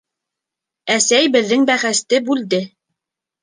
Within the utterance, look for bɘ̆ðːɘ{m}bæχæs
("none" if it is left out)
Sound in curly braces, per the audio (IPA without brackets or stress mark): ŋ